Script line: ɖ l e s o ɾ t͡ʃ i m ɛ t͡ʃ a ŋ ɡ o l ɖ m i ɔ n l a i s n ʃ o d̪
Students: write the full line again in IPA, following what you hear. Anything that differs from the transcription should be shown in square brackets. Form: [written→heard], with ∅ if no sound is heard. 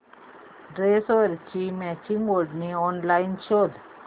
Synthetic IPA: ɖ [l→ɾ] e s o ɾ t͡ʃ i m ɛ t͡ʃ [a→i] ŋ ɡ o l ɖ [m→n] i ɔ n l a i [s→∅] n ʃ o d̪